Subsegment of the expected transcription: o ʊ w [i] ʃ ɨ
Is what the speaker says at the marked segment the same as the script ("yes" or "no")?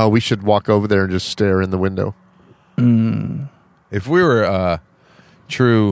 yes